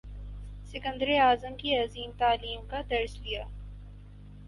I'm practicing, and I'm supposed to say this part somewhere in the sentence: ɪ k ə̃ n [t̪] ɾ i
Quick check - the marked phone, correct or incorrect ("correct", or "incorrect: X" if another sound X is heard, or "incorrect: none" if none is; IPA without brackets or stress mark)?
incorrect: d̪